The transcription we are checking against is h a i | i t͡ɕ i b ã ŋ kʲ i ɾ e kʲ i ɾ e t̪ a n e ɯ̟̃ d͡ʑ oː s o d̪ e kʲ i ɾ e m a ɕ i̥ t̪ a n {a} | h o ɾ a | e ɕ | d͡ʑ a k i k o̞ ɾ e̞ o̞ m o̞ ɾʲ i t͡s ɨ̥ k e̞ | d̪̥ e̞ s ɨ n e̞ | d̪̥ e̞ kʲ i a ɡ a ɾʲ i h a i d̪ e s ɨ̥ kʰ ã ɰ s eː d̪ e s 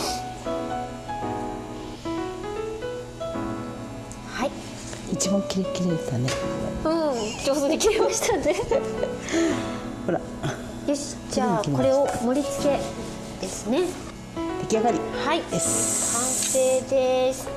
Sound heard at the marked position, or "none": e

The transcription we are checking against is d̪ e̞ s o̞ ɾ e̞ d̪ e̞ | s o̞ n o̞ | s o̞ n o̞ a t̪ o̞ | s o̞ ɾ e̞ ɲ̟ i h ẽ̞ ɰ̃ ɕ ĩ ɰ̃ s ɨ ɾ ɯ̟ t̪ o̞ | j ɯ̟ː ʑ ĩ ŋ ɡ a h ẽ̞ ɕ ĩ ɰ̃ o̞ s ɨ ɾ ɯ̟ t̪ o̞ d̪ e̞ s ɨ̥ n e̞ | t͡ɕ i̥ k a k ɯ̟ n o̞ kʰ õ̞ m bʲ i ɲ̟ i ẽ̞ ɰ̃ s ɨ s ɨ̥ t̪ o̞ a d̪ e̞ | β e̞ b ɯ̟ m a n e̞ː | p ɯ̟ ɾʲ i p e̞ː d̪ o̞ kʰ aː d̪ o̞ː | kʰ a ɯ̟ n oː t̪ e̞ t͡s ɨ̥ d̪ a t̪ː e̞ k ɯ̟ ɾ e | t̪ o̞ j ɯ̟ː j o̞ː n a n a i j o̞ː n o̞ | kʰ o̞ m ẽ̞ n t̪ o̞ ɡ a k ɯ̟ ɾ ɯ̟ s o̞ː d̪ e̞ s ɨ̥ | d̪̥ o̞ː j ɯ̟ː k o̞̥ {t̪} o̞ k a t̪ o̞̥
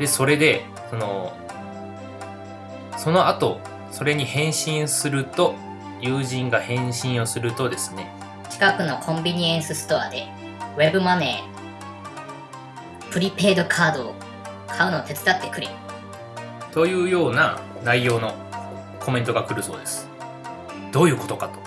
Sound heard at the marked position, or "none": t̪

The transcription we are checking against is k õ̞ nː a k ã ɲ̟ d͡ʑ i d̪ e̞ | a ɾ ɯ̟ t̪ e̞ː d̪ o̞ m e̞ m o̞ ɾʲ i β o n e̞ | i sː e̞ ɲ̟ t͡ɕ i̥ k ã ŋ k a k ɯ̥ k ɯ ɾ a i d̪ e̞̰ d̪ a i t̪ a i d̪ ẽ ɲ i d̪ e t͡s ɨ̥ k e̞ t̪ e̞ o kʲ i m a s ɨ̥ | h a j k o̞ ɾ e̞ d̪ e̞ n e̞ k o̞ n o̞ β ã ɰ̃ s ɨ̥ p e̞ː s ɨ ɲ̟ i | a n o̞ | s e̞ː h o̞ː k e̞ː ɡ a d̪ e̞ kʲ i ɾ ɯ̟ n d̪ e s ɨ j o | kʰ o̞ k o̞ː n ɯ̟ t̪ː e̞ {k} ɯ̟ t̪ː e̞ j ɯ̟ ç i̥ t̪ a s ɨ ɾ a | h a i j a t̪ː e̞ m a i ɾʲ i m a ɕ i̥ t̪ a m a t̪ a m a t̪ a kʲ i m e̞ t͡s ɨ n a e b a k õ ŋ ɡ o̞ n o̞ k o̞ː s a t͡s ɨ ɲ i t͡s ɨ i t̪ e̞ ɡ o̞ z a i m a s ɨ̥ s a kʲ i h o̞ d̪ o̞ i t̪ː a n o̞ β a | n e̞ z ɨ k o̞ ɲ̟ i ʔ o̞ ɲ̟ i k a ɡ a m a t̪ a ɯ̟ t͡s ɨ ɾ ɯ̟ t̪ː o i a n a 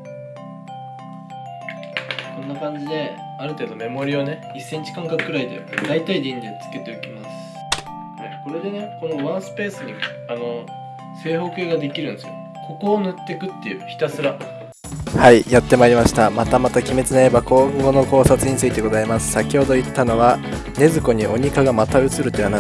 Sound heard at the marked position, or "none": k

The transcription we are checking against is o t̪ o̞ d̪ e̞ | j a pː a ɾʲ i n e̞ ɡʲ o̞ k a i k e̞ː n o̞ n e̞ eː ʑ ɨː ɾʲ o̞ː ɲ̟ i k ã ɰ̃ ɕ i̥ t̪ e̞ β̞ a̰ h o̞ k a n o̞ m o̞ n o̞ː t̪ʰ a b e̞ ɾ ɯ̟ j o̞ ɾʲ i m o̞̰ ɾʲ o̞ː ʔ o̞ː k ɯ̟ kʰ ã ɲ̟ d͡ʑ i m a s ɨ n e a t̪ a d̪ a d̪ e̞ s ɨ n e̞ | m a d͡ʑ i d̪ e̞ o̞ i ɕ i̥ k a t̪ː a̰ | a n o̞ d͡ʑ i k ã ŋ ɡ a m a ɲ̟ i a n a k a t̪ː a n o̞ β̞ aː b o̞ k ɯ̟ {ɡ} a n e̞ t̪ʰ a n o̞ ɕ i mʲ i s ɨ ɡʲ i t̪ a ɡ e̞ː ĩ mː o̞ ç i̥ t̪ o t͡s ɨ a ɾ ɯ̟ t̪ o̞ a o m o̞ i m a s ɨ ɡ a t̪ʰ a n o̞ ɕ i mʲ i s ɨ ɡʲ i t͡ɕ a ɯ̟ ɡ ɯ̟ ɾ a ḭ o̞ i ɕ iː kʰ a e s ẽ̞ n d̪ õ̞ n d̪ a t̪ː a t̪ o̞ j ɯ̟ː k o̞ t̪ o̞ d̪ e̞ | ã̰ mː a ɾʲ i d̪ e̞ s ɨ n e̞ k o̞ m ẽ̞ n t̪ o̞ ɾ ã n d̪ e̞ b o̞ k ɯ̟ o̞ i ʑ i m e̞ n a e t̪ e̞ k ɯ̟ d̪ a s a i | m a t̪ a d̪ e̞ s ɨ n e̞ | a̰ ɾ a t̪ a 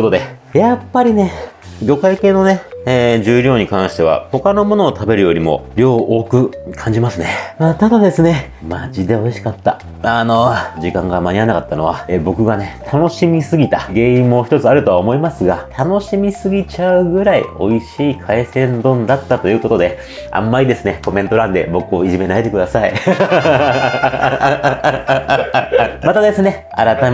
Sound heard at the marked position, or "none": ɡ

